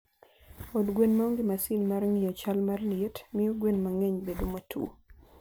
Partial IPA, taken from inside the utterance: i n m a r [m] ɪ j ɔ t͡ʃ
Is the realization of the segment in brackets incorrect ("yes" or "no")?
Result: yes